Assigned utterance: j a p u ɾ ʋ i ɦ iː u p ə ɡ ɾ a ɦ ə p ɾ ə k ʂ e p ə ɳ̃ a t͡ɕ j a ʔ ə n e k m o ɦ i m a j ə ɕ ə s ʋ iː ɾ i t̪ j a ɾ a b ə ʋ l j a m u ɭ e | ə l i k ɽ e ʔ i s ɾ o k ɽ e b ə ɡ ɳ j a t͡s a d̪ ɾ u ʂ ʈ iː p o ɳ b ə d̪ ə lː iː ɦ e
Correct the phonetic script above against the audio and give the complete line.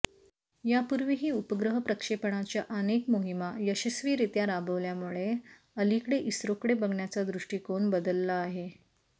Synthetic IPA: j a p u ɾ ʋ i ɦ iː u p ə ɡ ɾ ə ɦ ə p ɾ ə k ʂ e p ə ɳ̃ a t͡ɕ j a ʔ ə n e k m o ɦ i m a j ə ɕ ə s ʋ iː ɾ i t̪ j a ɾ a b ə ʋ l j a m u ɭ e | ə l i k ɽ e ʔ i s ɾ o k ɽ e b ə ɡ ɳ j a t͡s a d̪ ɾ u ʂ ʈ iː k o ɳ b ə d̪ ə lː aː ɦ e